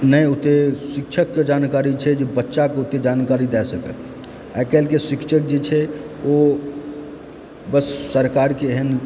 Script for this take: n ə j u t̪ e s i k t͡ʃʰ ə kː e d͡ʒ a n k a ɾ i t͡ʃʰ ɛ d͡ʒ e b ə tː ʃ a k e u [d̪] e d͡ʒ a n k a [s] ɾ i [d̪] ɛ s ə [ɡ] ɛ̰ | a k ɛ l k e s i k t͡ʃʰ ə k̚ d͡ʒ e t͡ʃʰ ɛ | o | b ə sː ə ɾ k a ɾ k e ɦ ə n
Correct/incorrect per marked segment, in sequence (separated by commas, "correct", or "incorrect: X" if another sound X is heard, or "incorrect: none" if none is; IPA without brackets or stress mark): incorrect: t̪, incorrect: none, correct, incorrect: k